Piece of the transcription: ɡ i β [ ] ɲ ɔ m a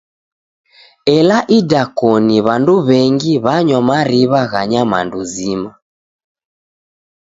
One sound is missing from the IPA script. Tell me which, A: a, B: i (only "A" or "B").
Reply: A